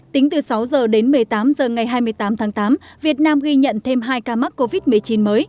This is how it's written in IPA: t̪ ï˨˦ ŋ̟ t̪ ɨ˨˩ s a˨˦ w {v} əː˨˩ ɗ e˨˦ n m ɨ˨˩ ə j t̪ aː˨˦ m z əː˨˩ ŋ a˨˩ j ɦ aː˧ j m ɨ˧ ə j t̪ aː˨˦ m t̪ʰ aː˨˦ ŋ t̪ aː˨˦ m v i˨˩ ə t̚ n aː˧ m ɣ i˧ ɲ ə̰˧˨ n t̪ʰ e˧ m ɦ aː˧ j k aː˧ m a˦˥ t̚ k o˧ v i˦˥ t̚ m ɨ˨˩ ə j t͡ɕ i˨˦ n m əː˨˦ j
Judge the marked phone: incorrect: z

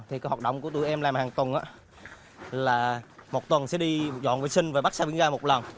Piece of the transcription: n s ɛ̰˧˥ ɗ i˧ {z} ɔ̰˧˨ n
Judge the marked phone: correct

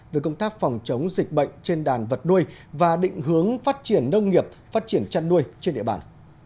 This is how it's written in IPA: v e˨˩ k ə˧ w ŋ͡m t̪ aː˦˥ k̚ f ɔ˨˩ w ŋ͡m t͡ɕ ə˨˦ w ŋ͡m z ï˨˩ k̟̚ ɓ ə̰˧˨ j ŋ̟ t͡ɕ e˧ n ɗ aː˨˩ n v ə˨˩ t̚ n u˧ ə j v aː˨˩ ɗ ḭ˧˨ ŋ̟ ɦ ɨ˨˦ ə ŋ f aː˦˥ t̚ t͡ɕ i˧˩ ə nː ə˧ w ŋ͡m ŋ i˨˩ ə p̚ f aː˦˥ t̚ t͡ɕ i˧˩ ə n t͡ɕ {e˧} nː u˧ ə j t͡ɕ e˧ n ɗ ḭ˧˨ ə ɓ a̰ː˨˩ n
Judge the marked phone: incorrect: a˧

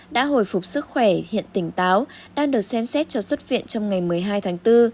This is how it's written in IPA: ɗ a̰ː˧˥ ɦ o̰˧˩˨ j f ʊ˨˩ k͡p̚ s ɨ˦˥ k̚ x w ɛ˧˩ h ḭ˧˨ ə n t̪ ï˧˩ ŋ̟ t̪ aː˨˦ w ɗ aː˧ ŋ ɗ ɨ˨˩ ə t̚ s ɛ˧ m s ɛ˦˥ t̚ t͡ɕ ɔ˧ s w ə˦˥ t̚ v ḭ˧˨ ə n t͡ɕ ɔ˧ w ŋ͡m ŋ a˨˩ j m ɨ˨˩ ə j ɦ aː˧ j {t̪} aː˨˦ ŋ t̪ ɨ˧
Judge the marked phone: incorrect: t̪ʰ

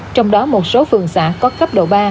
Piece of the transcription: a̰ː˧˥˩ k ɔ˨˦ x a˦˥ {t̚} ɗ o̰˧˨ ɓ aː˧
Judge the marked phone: incorrect: p̚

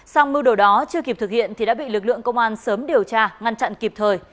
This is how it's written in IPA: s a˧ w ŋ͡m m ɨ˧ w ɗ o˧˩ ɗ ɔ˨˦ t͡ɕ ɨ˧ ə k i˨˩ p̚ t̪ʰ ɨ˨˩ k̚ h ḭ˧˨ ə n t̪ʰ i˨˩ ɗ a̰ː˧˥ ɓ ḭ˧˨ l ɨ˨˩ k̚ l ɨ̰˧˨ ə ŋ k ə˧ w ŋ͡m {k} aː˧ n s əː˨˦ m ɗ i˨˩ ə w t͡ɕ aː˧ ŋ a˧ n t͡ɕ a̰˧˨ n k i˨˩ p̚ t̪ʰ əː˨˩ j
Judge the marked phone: incorrect: ʔ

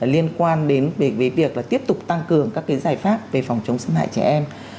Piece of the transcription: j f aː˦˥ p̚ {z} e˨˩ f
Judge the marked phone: incorrect: v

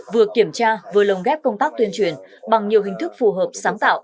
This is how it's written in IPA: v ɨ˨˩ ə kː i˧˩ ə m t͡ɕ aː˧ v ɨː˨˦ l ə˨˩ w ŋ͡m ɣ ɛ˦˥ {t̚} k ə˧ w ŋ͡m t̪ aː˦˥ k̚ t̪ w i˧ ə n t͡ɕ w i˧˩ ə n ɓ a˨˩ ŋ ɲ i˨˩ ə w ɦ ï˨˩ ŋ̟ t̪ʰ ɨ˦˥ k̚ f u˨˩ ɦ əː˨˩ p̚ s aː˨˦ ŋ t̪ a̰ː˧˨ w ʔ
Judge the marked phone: incorrect: p̚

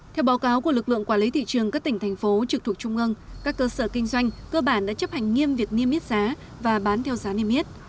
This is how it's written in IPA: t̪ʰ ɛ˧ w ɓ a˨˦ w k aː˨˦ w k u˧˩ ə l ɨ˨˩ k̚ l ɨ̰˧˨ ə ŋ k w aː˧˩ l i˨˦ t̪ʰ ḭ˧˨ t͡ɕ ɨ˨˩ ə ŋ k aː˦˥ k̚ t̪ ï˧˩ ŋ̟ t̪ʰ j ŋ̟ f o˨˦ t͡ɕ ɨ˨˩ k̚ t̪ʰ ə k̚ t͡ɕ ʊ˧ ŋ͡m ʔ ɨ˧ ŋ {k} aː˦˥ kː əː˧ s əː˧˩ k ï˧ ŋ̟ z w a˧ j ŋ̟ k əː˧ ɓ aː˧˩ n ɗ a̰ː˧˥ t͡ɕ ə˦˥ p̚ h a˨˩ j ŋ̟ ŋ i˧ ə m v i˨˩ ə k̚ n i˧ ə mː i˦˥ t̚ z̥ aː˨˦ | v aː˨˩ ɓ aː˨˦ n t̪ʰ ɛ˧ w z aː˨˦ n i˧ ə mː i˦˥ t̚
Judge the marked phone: correct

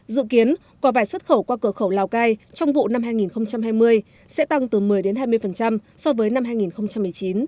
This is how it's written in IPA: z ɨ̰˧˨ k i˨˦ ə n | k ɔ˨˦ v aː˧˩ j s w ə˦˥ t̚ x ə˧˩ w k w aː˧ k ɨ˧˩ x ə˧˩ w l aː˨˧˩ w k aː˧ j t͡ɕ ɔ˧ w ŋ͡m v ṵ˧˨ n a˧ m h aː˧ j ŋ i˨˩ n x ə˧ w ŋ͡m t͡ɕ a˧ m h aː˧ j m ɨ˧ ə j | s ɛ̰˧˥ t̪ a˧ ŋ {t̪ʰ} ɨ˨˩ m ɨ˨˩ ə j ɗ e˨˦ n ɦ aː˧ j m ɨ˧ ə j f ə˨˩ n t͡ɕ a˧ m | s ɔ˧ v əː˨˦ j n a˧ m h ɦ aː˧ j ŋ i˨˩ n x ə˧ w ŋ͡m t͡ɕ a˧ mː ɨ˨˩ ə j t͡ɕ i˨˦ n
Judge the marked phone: incorrect: t̪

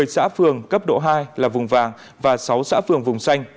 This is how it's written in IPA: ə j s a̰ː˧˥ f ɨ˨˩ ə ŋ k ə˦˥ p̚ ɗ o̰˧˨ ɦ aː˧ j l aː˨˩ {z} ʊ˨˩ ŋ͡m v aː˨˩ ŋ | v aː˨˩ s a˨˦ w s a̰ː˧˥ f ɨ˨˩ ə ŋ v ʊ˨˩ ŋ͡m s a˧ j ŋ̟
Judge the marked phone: incorrect: v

